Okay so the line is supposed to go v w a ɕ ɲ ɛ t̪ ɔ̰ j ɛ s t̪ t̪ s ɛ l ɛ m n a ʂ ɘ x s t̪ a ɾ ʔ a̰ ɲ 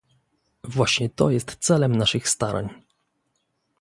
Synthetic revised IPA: v w a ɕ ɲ ɛ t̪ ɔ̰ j ɛ s t̪ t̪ s ɛ l ɛ m n a ʂ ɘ x s t̪ a ɾ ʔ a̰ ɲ